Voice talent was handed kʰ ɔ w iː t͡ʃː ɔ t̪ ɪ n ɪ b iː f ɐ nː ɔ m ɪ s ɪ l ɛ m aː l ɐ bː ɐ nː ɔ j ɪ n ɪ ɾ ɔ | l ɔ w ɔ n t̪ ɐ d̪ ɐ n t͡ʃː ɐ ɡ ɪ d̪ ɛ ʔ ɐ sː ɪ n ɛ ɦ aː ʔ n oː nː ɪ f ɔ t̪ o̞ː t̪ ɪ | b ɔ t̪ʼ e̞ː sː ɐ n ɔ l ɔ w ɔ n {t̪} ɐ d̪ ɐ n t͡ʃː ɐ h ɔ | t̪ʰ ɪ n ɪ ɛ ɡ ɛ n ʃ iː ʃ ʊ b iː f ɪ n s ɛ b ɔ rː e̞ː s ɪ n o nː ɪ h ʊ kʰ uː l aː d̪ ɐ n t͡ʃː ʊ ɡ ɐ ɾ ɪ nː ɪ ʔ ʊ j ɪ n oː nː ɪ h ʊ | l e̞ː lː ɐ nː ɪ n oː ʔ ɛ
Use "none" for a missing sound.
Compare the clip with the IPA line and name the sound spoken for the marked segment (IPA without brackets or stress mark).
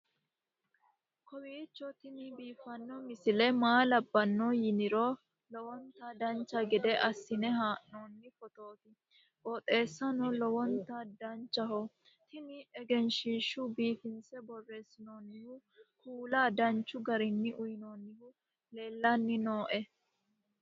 t̪